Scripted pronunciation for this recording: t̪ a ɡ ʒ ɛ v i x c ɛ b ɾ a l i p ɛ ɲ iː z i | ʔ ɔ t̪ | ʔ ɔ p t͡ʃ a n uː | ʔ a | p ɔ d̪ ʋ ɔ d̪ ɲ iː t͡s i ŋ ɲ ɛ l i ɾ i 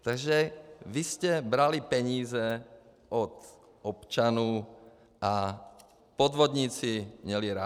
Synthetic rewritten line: t̪ a ɡ ʒ ɛ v i s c ɛ b ɾ a l i p ɛ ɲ iː z ɛ | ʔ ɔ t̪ | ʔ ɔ p t͡ʃ a n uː | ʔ a | p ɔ d̪ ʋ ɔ d̪ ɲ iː t͡s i m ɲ ɛ l i ɾ a

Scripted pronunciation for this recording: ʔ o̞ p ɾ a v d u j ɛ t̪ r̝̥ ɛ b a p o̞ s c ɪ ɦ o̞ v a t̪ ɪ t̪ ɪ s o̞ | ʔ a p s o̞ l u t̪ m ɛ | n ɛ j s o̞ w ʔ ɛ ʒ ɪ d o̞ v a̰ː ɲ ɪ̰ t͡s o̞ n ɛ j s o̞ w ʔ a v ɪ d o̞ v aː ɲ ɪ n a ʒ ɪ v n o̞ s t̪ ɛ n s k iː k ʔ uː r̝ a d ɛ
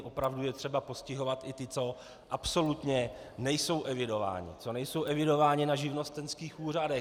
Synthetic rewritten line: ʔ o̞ p ɾ a v d u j ɛ t̪ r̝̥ ɛ b a p o̞ s c ɪ ɦ o̞ v a t̪ ɪ t̪ ɪ t͡s o̞ | ʔ a p s o̞ l u t̪ ɲ ɛ | n ɛ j s o̞ w ʔ ɛ v ɪ d o̞ v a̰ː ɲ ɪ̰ t͡s o̞ n ɛ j s o̞ w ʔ ɛ v ɪ d o̞ v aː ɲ ɪ n a ʒ ɪ v n o̞ s t̪ ɛ n s k iː x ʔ uː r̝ a d ɛ

